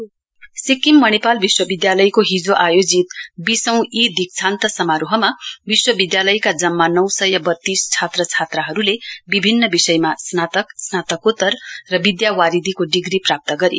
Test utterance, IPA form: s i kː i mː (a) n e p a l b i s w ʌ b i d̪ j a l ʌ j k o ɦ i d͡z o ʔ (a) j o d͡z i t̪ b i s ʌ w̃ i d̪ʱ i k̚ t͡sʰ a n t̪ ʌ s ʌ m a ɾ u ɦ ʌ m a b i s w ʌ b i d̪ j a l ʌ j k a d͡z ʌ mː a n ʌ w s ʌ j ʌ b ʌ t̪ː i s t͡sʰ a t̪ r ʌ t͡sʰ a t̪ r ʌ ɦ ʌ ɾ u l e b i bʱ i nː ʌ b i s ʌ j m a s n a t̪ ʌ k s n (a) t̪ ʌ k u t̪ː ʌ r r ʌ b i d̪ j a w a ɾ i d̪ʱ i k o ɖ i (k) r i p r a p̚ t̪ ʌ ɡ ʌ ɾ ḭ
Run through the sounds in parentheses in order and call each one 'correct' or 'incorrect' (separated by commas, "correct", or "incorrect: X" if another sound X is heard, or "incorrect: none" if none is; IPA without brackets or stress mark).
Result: incorrect: ʌ, correct, correct, incorrect: ɡ